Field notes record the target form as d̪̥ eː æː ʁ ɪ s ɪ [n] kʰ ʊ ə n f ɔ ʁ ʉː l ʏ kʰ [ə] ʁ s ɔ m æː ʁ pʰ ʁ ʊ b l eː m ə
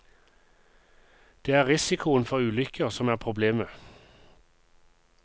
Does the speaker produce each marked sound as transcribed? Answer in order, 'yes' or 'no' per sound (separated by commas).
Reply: no, yes